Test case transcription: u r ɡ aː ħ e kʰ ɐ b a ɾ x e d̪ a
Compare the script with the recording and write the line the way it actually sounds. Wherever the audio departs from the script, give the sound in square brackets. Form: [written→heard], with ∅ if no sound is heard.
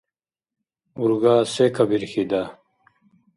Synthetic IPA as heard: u [r→ɾ] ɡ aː [ħ→s] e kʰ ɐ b [a→i] ɾ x [e→i] d̪ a